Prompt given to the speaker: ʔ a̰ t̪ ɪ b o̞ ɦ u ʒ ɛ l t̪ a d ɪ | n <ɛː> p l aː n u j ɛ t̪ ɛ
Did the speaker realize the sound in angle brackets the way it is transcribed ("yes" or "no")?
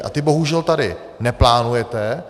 no